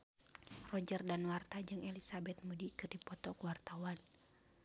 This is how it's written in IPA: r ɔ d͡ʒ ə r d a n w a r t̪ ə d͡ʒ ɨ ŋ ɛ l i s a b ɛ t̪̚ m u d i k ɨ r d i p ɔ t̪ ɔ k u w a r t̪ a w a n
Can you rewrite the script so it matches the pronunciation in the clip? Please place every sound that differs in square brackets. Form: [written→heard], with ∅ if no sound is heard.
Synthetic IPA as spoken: r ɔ d͡ʒ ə r d a n w a r t̪ [ə→a] d͡ʒ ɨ ŋ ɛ l i s a b ɛ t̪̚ m u d i k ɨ r d i p ɔ t̪ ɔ k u w a r t̪ a w a n